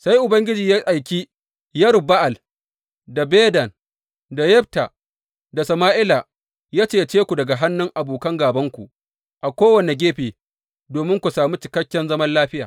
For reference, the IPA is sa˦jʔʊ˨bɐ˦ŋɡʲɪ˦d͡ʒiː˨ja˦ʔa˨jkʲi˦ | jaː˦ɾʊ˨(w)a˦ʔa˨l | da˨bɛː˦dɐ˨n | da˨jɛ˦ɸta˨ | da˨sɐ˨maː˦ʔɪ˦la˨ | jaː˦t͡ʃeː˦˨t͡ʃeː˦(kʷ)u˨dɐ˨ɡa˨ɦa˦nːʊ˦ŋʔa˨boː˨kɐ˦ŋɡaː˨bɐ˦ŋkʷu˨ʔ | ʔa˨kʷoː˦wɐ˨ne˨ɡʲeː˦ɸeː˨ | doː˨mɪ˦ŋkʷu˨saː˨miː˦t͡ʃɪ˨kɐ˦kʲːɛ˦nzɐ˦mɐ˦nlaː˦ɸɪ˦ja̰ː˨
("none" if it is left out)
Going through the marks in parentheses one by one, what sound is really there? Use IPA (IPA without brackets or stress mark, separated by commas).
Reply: b, kʷ